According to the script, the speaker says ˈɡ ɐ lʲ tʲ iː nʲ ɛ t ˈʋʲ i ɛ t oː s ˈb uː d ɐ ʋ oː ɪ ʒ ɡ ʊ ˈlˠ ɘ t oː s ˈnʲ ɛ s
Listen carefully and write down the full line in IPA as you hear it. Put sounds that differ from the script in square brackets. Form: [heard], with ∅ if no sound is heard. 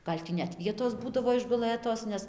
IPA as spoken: ˈɡ ɐ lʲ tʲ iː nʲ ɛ t ˈʋʲ i ɛ t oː s ˈb uː d ɐ ʋ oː ɪ ʒ ɡ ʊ ˈlˠ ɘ t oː s ˈnʲ ɛ s